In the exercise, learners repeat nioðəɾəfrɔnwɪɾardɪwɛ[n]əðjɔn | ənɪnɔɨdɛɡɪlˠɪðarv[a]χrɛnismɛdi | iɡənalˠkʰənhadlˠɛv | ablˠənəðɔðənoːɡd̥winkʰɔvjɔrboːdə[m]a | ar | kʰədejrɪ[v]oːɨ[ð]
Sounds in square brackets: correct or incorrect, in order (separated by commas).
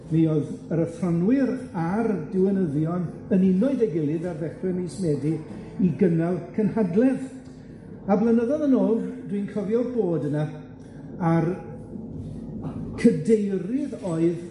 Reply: correct, incorrect, incorrect, incorrect, correct